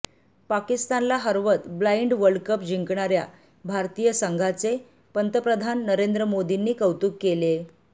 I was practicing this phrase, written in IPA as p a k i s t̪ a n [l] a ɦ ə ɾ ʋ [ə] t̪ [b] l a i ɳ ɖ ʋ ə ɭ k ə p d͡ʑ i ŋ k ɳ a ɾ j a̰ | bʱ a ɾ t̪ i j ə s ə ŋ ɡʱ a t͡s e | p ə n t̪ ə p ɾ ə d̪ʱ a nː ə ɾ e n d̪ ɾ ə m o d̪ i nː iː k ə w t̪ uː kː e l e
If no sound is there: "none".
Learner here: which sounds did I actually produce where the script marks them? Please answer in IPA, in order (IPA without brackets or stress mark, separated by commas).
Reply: l, ə, b